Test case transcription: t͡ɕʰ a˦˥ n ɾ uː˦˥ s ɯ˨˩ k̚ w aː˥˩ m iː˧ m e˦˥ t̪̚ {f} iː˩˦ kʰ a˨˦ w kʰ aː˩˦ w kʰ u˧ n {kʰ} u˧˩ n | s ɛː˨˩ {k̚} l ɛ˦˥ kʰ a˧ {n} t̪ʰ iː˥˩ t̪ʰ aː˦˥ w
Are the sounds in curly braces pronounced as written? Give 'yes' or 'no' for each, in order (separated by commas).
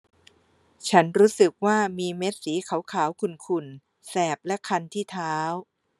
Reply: no, yes, no, yes